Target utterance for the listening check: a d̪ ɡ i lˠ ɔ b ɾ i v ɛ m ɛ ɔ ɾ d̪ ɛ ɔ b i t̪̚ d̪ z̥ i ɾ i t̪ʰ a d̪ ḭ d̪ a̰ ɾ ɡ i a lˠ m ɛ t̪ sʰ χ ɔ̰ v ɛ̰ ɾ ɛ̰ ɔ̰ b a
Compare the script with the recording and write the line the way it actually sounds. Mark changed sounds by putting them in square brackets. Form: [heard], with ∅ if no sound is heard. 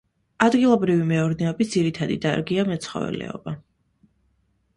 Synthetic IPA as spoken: a d̪ ɡ i lˠ ɔ b ɾ i v [i] m ɛ ɔ ɾ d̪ ɛ ɔ b i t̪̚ d̪ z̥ i ɾ i t̪ʰ a d̪ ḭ d̪ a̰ ɾ ɡ i a [∅] m ɛ t̪ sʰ χ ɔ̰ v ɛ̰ [l] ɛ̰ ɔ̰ b a